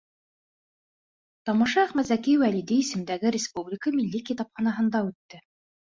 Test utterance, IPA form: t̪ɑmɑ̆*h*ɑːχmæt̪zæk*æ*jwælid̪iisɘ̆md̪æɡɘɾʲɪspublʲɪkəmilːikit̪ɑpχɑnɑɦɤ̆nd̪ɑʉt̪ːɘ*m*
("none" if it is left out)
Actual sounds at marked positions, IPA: ʃ, i, none

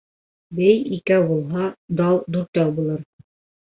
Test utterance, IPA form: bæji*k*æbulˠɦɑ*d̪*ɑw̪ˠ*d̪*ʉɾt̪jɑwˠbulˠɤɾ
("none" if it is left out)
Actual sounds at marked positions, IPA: k, d̪, d̪

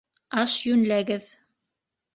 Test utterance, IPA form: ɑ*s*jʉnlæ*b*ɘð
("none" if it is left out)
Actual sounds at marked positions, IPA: ʃ, ɡ

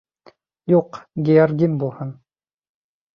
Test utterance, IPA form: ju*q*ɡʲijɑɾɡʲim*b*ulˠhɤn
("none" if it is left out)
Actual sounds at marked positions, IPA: q, b

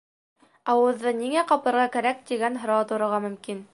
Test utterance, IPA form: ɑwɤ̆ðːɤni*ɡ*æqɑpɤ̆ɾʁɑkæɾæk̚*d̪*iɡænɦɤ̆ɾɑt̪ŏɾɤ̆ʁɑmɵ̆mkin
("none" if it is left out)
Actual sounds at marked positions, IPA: ŋ, t̪

